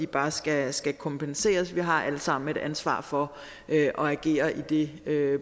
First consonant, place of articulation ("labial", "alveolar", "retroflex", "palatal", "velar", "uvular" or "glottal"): labial